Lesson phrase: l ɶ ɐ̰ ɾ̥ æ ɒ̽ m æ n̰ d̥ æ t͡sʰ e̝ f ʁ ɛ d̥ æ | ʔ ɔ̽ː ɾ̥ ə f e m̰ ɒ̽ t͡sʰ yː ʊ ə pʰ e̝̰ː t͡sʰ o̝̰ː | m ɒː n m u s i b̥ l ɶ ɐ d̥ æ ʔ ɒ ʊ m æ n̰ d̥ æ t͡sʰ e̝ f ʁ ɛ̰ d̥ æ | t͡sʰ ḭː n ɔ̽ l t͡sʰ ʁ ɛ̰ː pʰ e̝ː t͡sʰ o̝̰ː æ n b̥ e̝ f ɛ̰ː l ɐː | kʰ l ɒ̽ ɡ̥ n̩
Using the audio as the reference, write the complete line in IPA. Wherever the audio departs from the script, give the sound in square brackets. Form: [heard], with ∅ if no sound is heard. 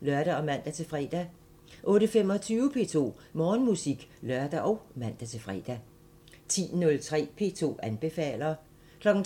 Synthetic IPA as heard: l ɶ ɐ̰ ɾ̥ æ ɒ̽ m æ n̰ d̥ æ t͡sʰ e̝ f ʁ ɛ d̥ æ | ʔ ɔ̽ː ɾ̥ ə f e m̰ ɒ̽ t͡sʰ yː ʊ ə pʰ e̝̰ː t͡sʰ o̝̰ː | m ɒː n m u s i [ɡ̥] l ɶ ɐ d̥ æ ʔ ɒ ʊ m æ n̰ d̥ æ t͡sʰ e̝ f ʁ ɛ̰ d̥ æ | t͡sʰ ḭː n ɔ̽ l t͡sʰ ʁ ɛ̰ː pʰ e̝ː t͡sʰ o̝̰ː æ n b̥ e̝ f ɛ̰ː l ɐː | kʰ l ɒ̽ ɡ̥ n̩